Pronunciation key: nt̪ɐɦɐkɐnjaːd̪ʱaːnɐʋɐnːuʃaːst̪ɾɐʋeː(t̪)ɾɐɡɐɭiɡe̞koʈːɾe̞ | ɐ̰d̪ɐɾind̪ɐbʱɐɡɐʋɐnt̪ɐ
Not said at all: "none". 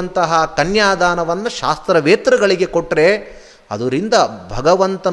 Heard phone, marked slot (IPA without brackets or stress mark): t̪